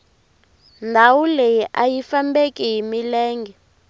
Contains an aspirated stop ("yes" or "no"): no